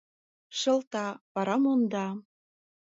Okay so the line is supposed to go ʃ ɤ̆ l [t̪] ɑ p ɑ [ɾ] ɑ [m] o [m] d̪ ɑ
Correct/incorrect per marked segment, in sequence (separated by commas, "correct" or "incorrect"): correct, correct, correct, incorrect